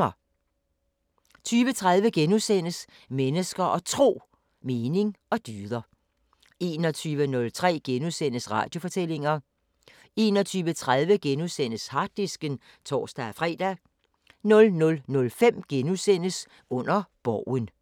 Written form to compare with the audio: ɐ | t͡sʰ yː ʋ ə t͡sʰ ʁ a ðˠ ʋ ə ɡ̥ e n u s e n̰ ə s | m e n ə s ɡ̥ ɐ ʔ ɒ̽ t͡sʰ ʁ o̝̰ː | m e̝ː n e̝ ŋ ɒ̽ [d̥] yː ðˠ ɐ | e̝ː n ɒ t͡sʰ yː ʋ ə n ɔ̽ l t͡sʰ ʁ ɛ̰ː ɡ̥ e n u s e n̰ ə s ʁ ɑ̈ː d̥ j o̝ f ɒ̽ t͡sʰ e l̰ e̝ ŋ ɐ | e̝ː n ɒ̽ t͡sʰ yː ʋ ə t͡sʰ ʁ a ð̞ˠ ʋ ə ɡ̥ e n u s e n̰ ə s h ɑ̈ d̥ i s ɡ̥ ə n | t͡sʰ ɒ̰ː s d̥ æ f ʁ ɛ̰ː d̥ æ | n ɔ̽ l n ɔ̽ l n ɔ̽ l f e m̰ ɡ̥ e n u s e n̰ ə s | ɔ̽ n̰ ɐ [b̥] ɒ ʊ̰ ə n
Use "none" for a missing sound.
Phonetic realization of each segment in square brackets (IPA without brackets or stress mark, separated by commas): d̥, b̥